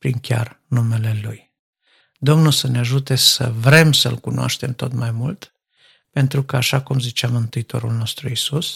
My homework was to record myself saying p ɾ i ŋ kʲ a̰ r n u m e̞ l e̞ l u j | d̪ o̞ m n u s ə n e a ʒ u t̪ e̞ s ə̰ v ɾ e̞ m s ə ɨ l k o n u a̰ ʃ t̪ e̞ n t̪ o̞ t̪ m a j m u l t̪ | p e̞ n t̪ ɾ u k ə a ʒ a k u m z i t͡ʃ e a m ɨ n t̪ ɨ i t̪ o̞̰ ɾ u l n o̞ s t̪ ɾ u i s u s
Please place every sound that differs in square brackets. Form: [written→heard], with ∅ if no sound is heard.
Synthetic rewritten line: p ɾ i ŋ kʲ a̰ r n u m e̞ l e̞ l u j | d̪ o̞ m n u s ə n e a ʒ u t̪ e̞ s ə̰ v ɾ e̞ m s ə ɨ l k [o→u] n [u→o] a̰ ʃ t̪ e̞ [n→m] t̪ o̞ t̪ m a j m u l t̪ | p e̞ n t̪ ɾ u k ə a [ʒ→ʃ] a k u m z i t͡ʃ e a m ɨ n t̪ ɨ i t̪ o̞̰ ɾ u l n o̞ s t̪ ɾ u i s u s